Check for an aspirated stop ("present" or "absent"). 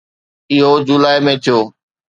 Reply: present